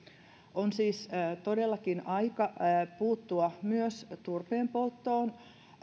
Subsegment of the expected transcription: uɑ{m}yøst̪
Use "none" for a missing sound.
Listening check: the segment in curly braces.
m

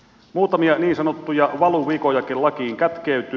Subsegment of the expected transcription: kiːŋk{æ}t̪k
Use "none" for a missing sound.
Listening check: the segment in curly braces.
æ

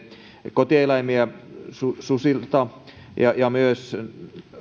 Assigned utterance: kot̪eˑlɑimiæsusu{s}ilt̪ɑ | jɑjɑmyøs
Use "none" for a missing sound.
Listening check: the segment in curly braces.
s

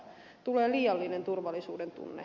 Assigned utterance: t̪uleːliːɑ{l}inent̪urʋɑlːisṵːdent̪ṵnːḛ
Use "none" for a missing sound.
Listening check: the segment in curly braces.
lː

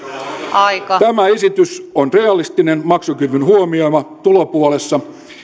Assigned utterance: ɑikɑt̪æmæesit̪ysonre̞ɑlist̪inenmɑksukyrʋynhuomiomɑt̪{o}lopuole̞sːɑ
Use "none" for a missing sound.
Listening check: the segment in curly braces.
u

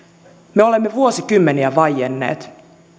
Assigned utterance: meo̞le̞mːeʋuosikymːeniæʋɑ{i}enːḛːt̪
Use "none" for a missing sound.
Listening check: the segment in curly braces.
j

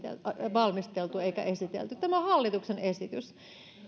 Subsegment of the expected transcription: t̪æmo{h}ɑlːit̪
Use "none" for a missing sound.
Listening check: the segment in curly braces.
h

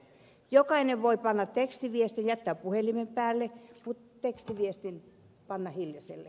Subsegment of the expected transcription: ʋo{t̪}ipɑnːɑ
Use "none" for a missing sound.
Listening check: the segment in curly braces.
none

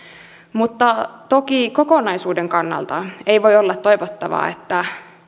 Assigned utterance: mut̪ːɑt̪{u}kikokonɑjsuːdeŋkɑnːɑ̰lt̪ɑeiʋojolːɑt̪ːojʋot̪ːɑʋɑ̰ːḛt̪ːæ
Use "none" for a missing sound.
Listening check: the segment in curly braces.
o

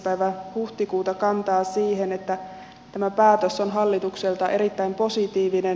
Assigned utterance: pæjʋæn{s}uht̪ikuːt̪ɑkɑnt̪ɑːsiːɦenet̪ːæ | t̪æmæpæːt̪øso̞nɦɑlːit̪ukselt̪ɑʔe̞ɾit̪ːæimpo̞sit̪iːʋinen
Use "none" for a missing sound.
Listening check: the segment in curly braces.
h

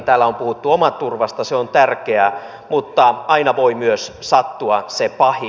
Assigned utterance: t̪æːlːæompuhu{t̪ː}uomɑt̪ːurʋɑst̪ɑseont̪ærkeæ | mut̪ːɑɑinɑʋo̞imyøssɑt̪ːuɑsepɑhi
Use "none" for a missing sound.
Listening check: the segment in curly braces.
t̪ː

